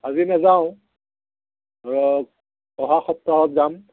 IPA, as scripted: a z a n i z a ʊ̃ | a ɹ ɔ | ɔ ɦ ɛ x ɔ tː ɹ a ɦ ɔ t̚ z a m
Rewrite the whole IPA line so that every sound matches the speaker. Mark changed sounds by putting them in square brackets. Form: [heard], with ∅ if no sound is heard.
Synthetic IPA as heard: a z [i] n [a] z a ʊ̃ | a ɹ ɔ | ɔ ɦ [a] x ɔ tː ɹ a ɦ ɔ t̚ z a m